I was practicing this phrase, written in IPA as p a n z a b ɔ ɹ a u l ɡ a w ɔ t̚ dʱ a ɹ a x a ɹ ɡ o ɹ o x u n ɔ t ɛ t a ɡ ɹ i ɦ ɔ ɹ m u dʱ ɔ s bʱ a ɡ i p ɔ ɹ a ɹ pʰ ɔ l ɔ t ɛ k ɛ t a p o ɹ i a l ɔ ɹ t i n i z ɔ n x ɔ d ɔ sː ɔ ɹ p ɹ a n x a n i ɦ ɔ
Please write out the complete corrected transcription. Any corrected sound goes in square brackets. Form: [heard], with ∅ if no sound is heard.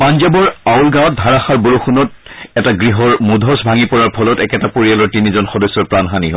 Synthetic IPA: p a n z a b ɔ ɹ a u l ɡ a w ɔ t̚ dʱ a ɹ a x a ɹ [b] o ɹ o x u n ɔ t ɛ t a ɡ ɹ i ɦ ɔ ɹ m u dʱ ɔ s bʱ a [ŋ] i p ɔ ɹ a ɹ pʰ ɔ l ɔ t ɛ k ɛ t a p o ɹ i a l ɔ ɹ t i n i z ɔ n x ɔ d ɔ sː ɔ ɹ p ɹ a n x a n i ɦ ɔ